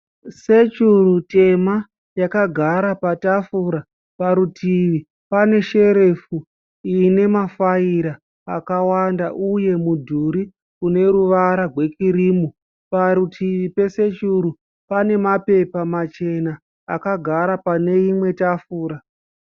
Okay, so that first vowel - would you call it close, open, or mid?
mid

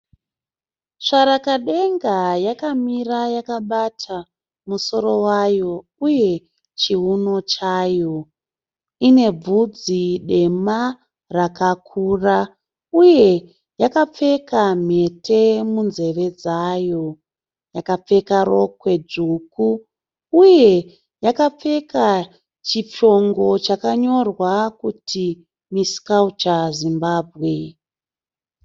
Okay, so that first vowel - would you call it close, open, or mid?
open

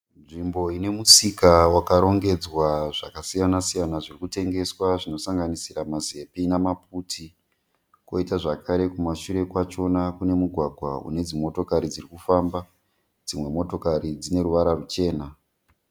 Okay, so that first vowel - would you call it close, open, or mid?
close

